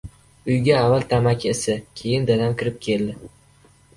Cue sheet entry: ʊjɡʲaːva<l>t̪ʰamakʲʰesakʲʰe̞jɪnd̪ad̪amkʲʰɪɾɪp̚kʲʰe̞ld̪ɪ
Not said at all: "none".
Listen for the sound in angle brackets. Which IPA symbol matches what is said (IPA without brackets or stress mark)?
l